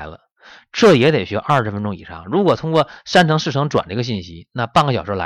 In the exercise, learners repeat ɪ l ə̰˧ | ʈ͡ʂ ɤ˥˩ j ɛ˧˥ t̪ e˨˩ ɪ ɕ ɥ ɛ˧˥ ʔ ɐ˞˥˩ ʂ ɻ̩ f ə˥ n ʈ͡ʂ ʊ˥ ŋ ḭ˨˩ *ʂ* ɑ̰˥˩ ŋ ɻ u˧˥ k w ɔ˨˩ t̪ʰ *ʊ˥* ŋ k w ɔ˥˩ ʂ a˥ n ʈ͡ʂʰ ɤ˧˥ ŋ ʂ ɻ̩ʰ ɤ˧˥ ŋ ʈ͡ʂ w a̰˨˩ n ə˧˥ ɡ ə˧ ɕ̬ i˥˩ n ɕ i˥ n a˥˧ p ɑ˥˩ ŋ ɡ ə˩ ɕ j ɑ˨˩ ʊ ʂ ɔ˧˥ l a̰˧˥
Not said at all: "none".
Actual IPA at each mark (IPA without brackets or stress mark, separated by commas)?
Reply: ʂ, ʊ˥